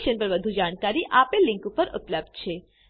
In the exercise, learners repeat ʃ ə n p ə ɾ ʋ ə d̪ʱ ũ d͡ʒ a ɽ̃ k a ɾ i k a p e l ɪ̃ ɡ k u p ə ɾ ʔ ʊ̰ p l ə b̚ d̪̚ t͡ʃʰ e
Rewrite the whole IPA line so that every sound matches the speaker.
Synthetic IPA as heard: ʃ ə n p ə ɾ ʋ ə d̪ʱ u d͡ʒ a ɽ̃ k a ɾ i ʔ a p e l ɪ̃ ŋ k u p ə ɾ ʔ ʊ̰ p l ə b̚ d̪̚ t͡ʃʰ e

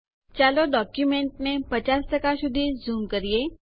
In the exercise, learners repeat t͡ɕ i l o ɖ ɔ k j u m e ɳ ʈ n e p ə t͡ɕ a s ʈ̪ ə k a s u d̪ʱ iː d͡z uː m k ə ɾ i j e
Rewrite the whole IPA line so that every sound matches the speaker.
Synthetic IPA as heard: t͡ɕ a l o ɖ ɔ k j u m e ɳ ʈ n e p ə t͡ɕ a s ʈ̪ ə k a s u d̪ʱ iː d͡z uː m k ə ɾ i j e

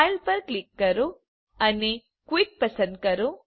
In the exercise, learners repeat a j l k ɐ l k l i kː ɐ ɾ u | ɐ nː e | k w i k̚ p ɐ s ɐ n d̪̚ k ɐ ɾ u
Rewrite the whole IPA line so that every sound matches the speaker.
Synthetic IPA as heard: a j l p ɐ ɾ k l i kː ɐ ɾ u | ɐ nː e | k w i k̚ p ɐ s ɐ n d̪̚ k ɐ ɾ u

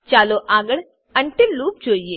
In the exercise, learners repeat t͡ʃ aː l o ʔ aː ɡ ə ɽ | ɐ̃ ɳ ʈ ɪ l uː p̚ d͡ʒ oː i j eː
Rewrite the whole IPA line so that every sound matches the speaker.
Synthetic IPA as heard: t͡ʃ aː l o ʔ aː ɡ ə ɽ | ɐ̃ ɳ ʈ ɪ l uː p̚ d͡ʒ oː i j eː

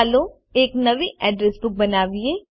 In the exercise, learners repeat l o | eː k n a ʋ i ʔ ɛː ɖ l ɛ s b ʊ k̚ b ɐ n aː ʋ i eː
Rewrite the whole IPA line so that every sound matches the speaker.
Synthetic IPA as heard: l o | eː k n ɐ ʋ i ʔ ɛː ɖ ɾ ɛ s b ʊ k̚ b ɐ n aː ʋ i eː

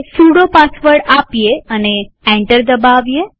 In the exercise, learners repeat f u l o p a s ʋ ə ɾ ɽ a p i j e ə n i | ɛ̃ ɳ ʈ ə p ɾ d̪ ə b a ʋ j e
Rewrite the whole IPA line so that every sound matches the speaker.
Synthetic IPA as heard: s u ɽ o p a s ʋ ə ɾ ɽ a p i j e ə n e | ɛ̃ ɳ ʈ ə ɾ d̪ ə b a ʋ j e

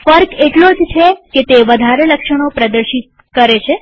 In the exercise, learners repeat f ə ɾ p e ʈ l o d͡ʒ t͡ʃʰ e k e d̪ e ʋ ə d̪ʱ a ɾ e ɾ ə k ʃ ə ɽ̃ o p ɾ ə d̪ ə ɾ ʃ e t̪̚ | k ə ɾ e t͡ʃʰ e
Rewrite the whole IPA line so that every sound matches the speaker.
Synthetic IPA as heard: f ə ɾ k e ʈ l o d͡ʒ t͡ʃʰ e k e t̪ e ʋ ə d̪ʱ a ɾ e l ə k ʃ ə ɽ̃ o p ɾ ə d̪ ə ɾ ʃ i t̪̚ | k ə ɾ e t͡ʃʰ e

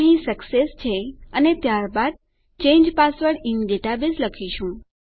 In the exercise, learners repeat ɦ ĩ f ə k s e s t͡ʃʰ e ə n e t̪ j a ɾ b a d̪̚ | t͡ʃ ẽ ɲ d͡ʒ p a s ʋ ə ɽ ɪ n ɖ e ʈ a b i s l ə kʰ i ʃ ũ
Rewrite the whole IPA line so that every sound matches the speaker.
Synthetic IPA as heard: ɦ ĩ s ə k s e s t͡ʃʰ e ə n e t̪ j a ɾ b a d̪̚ | t͡ʃ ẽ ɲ d͡ʒ p a s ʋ ə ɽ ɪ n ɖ e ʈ a b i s l ə kʰ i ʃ ũ

